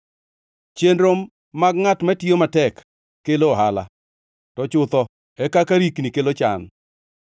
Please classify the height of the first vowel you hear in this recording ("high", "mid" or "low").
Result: mid